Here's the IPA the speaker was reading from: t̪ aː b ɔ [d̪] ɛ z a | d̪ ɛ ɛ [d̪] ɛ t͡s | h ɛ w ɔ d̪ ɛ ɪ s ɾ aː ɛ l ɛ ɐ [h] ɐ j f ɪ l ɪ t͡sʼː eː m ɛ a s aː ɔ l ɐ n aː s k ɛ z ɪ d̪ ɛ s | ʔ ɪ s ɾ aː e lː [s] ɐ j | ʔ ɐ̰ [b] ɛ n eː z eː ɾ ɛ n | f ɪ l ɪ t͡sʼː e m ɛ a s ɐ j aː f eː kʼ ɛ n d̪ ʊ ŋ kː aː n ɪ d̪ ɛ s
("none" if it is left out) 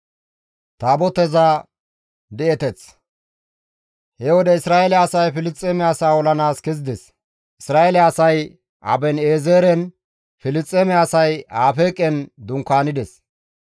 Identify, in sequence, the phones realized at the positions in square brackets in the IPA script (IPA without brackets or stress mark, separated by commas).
t̪, t̪, s, s, b